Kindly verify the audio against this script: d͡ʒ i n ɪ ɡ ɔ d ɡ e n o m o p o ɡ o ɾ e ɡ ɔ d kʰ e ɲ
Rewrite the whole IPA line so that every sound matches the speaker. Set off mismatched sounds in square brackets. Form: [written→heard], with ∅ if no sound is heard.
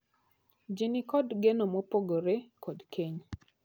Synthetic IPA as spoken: d͡ʒ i n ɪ [ɡ→k] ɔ d ɡ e n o m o p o ɡ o ɾ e [ɡ→k] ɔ d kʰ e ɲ